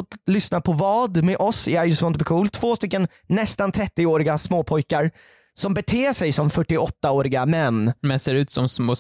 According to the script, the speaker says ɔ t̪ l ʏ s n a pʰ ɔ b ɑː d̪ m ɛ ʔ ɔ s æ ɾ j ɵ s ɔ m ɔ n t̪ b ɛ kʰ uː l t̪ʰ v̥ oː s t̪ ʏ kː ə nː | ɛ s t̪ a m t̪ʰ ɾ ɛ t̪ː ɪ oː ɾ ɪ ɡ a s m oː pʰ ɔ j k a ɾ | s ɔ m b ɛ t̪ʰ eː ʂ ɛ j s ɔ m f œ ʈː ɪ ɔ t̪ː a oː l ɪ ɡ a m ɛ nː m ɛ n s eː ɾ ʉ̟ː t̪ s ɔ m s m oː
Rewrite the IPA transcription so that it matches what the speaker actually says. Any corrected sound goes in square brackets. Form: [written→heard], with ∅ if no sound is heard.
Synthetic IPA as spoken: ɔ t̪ l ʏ s n a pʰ ɔ [b→v] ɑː d̪ m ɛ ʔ ɔ s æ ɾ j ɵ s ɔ m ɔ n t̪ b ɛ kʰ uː l t̪ʰ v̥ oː s t̪ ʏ kː ə nː | ɛ s t̪ a [m→n] t̪ʰ ɾ ɛ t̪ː ɪ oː ɾ ɪ ɡ a s m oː pʰ ɔ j k a ɾ | s ɔ m b ɛ t̪ʰ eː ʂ ɛ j s ɔ m f œ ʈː ɪ ɔ t̪ː a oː [l→ɾ] ɪ ɡ a m ɛ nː m ɛ n s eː ɾ ʉ̟ː t̪ s ɔ m s m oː